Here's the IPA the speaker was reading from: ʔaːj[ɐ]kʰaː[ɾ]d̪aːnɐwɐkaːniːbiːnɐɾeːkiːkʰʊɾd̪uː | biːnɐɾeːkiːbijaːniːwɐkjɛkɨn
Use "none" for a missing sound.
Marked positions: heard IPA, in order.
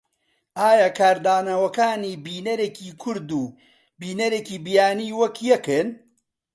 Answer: a, ɾ

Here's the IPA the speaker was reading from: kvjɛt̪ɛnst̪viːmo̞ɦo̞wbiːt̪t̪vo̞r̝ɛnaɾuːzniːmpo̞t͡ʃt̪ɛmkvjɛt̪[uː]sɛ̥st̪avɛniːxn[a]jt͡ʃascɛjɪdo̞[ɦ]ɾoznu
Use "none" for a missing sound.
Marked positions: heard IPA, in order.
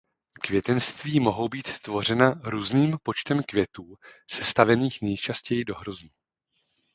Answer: uː, ɛ, ɦ

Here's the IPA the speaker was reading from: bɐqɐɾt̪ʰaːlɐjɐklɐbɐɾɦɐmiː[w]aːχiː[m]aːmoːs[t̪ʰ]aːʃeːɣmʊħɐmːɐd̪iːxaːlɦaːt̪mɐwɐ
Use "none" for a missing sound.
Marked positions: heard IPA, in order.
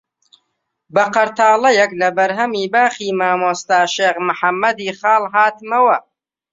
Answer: b, m, t̪

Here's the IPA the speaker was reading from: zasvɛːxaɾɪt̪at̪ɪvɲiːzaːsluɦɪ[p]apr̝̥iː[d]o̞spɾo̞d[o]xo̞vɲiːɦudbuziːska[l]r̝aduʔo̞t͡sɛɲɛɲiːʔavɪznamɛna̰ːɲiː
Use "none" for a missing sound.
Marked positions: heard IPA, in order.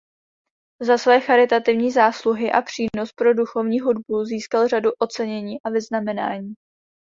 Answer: ʔ, n, u, l

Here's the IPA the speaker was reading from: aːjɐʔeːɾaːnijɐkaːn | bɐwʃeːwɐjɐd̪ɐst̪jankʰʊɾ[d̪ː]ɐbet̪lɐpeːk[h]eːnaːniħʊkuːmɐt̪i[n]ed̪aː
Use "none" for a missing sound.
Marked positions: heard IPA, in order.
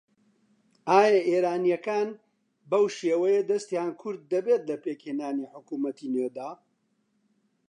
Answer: d̪ː, h, n

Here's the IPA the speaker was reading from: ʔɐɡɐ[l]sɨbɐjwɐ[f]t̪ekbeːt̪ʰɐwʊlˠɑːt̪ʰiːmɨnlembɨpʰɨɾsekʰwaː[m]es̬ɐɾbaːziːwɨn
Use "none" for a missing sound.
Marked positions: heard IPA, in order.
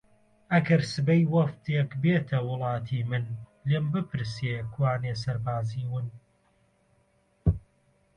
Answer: ɾ, f, n

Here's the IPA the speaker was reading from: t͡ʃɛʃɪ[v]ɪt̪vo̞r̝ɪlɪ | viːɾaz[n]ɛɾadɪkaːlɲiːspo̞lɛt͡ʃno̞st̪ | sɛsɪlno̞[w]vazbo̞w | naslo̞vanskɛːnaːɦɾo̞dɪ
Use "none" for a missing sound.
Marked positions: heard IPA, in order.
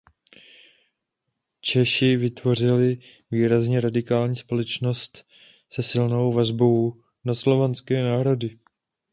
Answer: v, ɲ, w

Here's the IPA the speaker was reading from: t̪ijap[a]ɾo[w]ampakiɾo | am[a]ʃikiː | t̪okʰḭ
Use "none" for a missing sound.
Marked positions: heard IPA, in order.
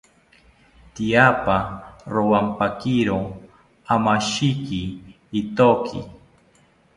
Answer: a, w, a

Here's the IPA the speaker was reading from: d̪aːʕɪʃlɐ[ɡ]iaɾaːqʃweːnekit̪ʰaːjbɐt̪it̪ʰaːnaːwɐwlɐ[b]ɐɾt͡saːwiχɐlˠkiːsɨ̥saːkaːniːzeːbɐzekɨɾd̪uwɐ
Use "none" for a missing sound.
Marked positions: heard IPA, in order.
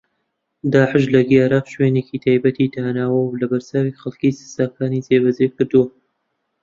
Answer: ɡ, b

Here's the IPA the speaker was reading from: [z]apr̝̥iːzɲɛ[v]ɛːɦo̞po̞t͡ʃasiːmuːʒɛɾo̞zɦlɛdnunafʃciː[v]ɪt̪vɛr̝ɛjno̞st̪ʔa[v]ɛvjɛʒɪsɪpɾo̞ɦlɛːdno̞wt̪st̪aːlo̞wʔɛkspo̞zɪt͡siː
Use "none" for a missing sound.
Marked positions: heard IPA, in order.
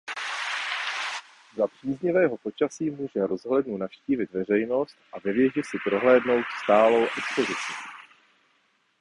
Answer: z, v, v, v

